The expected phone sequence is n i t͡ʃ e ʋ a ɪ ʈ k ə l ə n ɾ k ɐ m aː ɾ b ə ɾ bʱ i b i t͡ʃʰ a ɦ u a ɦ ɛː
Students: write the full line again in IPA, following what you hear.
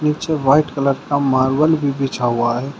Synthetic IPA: n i t͡ʃ e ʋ a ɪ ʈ k ə l ə ɾ k a m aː ɾ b ə l bʱ i b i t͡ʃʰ a ɦ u a ɦ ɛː